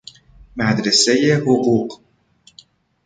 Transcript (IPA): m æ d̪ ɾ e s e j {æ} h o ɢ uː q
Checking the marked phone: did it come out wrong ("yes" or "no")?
yes